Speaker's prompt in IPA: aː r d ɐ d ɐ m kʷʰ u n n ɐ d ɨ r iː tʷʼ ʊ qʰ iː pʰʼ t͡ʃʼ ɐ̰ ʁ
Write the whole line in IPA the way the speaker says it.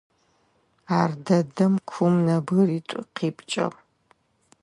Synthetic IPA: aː r d ɐ d ɐ m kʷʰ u m n ɐ b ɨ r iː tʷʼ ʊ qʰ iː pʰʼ t͡ʃʼ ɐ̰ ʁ